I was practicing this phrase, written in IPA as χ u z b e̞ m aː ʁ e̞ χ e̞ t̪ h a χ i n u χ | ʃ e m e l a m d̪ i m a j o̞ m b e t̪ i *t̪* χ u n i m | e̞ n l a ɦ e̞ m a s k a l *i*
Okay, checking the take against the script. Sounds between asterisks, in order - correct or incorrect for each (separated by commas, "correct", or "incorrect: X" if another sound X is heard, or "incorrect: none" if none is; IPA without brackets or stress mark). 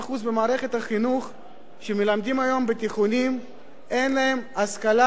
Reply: incorrect: none, incorrect: a